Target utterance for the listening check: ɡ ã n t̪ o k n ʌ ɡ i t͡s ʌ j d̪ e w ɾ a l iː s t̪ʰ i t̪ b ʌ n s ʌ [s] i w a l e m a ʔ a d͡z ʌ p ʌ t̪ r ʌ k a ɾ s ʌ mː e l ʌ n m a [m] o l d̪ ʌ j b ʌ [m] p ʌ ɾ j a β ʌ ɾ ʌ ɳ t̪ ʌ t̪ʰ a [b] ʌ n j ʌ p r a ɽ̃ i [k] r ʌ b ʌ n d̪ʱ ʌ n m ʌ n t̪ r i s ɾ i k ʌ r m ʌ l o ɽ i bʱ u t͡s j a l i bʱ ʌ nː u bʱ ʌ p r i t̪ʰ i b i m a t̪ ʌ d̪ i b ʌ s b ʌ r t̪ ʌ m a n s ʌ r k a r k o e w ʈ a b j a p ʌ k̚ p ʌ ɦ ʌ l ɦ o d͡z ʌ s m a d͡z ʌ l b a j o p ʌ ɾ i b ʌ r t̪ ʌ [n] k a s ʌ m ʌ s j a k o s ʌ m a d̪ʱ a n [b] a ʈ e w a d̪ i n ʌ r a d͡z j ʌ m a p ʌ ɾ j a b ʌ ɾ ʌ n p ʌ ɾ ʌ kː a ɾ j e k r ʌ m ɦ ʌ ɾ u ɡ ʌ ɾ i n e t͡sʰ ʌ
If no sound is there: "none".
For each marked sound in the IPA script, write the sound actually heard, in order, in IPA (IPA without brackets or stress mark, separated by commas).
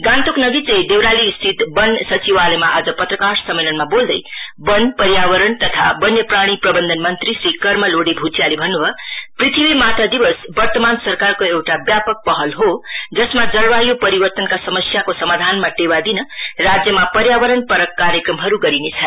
t͡s, b, n, b, p, n, m